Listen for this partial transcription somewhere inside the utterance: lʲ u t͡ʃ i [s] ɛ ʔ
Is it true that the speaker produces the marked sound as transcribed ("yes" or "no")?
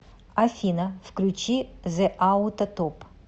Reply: no